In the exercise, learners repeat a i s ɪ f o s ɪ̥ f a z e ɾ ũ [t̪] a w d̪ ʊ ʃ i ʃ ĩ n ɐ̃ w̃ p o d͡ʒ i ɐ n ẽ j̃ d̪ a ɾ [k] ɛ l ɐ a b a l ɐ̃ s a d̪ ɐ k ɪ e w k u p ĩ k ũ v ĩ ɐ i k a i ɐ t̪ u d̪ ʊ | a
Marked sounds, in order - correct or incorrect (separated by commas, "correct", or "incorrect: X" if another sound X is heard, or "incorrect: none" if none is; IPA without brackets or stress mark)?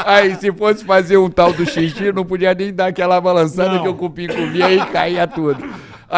correct, correct